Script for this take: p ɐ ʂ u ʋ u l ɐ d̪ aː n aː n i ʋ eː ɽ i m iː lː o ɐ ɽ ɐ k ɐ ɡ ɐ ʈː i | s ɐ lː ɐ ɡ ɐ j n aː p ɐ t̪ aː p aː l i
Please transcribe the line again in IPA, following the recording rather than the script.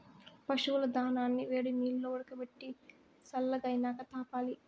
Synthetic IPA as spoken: p ɐ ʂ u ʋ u l ɐ d̪ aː n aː nː i ʋ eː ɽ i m iː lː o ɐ ɽ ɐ k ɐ b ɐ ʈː i | s ɐ lː ɐ ɡ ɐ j n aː k ɐ t̪ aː p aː l i